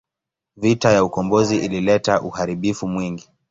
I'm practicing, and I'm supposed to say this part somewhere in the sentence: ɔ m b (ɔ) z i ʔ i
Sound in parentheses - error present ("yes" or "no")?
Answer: no